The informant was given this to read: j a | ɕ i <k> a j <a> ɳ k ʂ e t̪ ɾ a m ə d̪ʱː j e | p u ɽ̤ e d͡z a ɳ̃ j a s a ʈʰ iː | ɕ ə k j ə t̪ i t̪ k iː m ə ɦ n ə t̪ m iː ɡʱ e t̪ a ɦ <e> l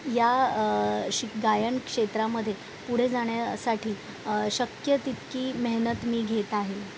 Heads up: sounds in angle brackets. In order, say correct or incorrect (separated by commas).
incorrect, incorrect, correct